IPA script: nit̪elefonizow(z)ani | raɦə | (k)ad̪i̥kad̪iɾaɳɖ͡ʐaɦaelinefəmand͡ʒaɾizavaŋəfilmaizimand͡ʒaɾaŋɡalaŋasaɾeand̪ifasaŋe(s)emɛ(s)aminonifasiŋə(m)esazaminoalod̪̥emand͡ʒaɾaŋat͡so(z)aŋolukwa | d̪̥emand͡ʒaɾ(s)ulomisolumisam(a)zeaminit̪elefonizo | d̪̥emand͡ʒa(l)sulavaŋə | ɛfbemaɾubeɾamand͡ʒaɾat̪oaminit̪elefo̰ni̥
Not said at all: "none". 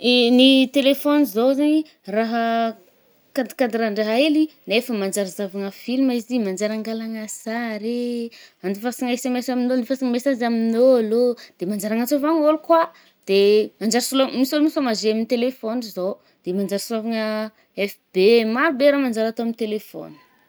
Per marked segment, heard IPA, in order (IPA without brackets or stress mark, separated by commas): z, k, s, s, m, v, s, a, ɾ